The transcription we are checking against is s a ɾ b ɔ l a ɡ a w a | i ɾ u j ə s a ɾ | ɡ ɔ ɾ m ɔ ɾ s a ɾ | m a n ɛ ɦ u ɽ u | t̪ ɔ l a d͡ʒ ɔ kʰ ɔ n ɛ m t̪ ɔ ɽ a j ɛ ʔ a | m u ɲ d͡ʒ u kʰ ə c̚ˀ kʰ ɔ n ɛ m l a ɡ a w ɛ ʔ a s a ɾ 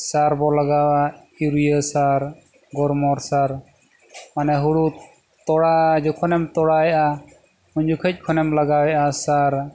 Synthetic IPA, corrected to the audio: s a ɾ b ɔ l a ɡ a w a | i ɾ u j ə s a ɾ | ɡ ɔ ɾ m ɔ ɾ s a ɾ | m a n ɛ ɦ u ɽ u | t̪ ɔ ɽ a d͡ʒ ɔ kʰ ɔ n ɛ m t̪ ɔ ɽ a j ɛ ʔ a | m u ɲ d͡ʒ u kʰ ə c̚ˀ kʰ ɔ n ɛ m l a ɡ a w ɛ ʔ a s a ɾ